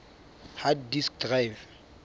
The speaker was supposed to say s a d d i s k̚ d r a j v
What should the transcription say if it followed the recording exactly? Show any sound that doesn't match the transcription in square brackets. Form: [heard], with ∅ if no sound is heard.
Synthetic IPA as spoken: [h] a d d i s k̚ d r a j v